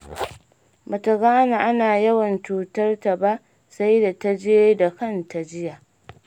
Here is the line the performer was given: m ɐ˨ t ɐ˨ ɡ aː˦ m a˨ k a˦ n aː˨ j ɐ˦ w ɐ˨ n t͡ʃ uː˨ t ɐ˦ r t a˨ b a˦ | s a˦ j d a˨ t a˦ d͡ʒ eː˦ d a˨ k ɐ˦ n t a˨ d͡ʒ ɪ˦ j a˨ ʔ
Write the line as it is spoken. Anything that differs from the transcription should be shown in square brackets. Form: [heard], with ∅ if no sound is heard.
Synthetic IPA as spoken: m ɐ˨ t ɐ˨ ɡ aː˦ [n] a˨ [ʔ] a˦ n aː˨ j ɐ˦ w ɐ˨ n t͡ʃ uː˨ t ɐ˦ r t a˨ b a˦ | s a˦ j d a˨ t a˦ d͡ʒ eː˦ d a˨ k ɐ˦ n t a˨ d͡ʒ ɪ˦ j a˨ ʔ